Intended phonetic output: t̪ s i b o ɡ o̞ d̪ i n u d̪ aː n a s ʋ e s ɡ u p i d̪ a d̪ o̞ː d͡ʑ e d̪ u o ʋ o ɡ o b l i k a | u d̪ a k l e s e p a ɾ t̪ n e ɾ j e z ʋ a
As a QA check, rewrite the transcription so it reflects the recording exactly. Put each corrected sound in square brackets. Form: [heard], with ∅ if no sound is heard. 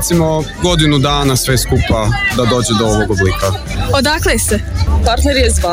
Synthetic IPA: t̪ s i [m] o ɡ o̞ d̪ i n u d̪ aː n a s ʋ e s [k] u p [a] d̪ a d̪ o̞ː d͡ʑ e d̪ [o] o ʋ o ɡ o b l i k a | [o] d̪ a k l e s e p a ɾ t̪ n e ɾ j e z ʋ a